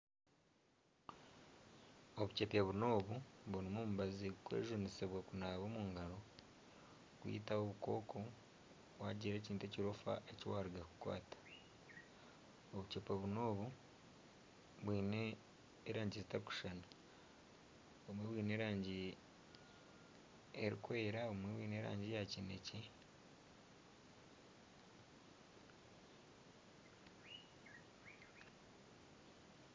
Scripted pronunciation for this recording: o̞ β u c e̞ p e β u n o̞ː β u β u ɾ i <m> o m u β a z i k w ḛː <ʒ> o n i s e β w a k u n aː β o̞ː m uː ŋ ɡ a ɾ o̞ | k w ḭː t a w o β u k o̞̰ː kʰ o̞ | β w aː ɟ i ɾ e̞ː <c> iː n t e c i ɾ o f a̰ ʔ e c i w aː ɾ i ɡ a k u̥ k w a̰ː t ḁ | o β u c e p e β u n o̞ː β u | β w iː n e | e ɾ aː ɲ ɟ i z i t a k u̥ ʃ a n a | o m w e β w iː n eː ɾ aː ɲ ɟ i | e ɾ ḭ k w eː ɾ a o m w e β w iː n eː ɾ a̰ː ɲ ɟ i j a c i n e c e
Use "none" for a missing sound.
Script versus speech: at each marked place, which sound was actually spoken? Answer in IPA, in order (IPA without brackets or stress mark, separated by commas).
m, ʒ, c